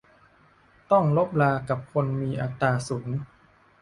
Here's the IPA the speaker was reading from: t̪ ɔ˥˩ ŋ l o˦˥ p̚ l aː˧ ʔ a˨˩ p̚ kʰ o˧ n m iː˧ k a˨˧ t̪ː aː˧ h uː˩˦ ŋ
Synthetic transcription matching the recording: t̪ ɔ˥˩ ŋ l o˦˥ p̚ l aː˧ k a˨˩ p̚ kʰ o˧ n m iː˧ ʔ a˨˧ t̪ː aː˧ s uː˩˦ ŋ